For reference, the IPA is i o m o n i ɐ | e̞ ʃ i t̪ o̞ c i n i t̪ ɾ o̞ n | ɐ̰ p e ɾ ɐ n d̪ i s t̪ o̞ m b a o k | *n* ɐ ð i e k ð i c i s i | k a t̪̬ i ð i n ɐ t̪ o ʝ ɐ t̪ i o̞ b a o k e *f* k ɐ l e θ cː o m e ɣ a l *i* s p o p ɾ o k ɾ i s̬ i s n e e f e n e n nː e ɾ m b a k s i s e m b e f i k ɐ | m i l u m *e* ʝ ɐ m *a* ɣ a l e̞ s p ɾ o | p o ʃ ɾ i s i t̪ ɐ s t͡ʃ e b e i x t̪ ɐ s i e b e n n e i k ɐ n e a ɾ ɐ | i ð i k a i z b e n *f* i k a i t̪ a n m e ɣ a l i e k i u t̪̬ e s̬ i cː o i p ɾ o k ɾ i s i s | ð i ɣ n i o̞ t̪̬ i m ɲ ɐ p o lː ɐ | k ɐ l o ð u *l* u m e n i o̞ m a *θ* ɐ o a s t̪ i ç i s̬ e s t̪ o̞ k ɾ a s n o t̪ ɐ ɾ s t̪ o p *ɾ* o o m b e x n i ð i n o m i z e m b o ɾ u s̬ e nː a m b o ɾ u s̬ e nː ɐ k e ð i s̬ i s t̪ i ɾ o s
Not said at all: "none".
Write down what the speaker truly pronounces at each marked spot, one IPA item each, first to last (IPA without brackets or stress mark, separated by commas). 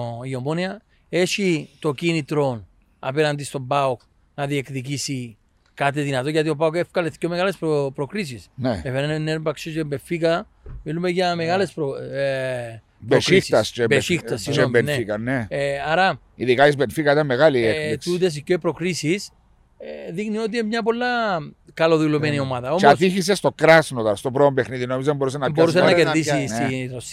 n, f, e, e, e, f, l, ð, ɾ